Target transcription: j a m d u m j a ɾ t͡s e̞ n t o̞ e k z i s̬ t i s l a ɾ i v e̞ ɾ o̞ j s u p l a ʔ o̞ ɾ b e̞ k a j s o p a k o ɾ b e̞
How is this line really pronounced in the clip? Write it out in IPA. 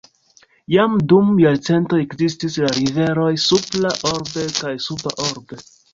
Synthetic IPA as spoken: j a m d u m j a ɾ t͡s e̞ n t o̞ e k z i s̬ t i s l a ɾ i v e̞ ɾ o̞ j s u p l a ʔ o̞ ɾ b e̞ k a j s u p a ʔ o ɾ b e̞